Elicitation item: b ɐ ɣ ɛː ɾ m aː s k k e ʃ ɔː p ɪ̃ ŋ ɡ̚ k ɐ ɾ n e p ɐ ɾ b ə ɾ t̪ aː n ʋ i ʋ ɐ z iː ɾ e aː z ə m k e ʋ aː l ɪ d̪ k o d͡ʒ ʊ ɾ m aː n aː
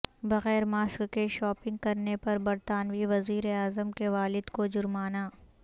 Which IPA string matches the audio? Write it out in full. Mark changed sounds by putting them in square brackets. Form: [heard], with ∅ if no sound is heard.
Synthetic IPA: b ɐ ɣ ɛː ɾ m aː s k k e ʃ ɔː p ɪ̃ ŋ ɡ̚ k ɐ ɾ n e p ɐ ɾ b [ɐ] ɾ t̪ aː n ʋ i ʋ ɐ z iː ɾ e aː z ə m k e ʋ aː l ɪ d̪ k o d͡ʒ ʊ ɾ m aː n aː